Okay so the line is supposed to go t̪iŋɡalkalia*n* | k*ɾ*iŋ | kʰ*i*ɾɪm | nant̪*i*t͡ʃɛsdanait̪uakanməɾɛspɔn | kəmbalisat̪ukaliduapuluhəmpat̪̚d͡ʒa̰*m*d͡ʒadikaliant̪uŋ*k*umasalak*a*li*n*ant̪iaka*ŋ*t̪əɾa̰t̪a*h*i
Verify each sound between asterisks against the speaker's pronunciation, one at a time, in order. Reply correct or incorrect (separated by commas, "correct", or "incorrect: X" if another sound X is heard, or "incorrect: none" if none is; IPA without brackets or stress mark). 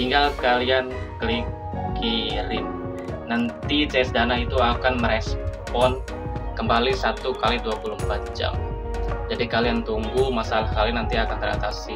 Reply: correct, incorrect: l, correct, correct, correct, incorrect: ɡ, correct, correct, incorrect: n, incorrect: s